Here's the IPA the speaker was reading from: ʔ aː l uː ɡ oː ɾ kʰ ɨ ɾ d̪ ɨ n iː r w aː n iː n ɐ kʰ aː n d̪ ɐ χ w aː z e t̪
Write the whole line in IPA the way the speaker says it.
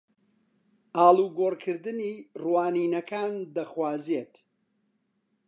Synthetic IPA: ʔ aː l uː ɡ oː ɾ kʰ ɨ ɾ d̪ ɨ n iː r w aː n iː n ɐ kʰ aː n d̪ ɐ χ w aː z e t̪